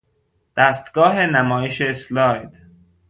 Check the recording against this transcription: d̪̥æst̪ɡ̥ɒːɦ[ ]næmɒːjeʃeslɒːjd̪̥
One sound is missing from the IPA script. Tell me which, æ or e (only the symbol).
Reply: e